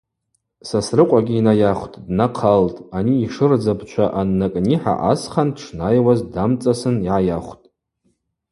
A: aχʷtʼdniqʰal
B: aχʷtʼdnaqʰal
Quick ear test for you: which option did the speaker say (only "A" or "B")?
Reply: B